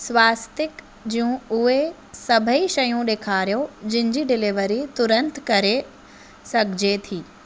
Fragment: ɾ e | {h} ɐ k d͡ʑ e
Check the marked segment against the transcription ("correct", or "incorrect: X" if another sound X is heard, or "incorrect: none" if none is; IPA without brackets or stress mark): incorrect: s